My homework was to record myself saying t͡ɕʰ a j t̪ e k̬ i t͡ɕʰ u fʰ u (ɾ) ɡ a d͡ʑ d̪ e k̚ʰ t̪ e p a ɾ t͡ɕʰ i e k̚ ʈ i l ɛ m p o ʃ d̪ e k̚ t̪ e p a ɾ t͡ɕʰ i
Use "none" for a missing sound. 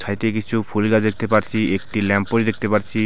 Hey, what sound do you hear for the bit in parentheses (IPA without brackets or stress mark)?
l